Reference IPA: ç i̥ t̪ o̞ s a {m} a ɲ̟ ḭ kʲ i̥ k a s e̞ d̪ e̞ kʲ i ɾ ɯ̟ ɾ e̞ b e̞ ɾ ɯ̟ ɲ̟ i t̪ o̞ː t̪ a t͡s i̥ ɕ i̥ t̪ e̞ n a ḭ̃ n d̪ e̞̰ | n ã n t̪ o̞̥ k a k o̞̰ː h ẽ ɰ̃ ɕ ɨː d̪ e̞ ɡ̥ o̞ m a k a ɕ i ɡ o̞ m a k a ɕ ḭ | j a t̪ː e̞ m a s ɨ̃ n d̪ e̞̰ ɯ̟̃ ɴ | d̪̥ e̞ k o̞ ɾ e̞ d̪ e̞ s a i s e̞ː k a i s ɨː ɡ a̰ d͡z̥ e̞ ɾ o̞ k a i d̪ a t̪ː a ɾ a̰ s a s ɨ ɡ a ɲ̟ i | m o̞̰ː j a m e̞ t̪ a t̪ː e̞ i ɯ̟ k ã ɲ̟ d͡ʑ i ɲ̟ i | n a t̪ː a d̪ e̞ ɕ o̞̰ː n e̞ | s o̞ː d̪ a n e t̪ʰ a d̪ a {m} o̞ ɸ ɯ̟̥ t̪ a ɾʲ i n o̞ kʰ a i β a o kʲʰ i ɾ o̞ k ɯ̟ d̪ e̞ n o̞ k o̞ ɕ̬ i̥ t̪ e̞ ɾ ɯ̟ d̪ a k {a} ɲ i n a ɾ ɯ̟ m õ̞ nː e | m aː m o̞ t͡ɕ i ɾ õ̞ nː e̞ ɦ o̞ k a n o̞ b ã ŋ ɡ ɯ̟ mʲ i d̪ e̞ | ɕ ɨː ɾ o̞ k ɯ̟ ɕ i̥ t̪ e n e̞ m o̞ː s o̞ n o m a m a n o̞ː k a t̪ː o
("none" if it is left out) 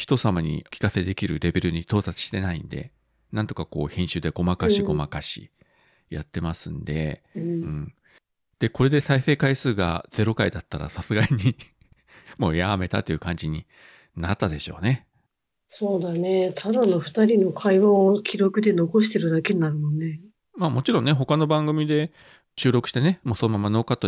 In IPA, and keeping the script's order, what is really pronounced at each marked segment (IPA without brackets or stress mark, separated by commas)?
m, n, e